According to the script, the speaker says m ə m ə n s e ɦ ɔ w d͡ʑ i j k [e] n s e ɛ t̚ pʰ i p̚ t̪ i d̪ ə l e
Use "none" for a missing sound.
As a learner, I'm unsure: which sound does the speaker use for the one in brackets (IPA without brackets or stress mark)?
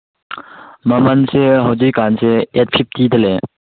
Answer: a